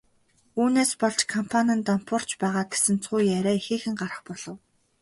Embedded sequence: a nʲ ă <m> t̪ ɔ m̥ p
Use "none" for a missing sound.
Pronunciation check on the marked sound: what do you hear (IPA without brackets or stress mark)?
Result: n